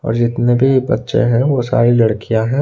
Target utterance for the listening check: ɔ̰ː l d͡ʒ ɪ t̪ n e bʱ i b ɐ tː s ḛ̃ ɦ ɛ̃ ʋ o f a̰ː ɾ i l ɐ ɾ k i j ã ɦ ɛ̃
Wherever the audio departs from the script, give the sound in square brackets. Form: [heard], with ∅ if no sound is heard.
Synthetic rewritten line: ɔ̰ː [ɾ] d͡ʒ ɪ t̪ n e bʱ i b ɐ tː [ʃ] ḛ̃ ɦ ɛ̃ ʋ o [s] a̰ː ɾ i l ɐ [ɽ] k i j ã ɦ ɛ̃